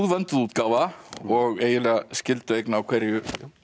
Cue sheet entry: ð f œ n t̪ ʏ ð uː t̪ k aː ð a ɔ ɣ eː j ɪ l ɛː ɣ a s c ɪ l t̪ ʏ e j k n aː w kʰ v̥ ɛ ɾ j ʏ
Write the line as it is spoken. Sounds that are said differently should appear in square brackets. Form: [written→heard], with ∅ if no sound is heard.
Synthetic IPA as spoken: ð [f→v] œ n t̪ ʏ ð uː t̪ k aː [ð→v] a ɔ ɣ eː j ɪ l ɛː ɣ a s c ɪ l t̪ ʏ e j k n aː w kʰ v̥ ɛ ɾ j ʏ